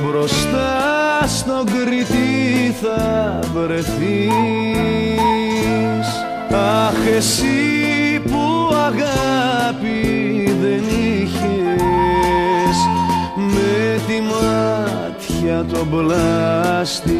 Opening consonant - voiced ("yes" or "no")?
yes